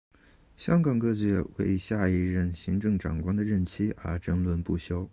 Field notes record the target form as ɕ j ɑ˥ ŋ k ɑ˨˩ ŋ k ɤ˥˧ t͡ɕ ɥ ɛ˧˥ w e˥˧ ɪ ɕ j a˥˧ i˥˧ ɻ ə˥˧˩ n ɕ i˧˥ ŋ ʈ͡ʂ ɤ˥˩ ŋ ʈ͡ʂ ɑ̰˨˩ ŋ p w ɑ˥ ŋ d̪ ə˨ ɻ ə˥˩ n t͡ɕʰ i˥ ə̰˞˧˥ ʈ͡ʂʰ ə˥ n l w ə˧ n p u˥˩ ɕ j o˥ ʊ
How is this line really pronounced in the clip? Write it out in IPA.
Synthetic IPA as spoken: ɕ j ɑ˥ ŋ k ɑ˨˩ ŋ k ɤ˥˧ t͡ɕ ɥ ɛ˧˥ w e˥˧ ɪ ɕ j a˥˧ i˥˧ ɻ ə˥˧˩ n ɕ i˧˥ ŋ ʈ͡ʂ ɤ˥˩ ŋ ʈ͡ʂ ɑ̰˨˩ ŋ k w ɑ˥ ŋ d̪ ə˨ ɻ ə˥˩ n t͡ɕʰ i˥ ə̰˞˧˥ ʈ͡ʂ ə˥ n l w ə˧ n p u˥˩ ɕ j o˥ ʊ

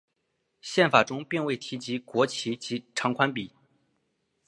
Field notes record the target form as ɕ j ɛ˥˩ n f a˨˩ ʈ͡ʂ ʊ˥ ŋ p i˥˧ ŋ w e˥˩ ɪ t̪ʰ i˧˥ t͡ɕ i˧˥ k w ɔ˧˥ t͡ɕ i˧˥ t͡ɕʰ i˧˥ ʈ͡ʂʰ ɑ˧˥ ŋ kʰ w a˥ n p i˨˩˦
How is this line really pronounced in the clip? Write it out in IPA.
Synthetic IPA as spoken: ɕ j ɛ˥˩ n f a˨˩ ʈ͡ʂ ʊ˥ ŋ p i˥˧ ŋ w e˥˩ ɪ t̪ʰ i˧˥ t͡ɕ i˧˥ k w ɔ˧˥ t͡ɕʰ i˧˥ t͡ɕ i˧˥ ʈ͡ʂʰ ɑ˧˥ ŋ kʰ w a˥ n p i˨˩˦

